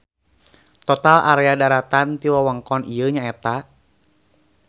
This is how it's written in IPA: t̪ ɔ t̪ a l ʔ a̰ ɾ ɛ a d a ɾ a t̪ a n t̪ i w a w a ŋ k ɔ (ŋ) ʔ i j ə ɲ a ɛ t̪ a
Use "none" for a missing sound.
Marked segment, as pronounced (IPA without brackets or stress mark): n